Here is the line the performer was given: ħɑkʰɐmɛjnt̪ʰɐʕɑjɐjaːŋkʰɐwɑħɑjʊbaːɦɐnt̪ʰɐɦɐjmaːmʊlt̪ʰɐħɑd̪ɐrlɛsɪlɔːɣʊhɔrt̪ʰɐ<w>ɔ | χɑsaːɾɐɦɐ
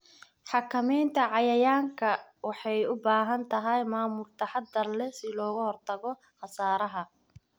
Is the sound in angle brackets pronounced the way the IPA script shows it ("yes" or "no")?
no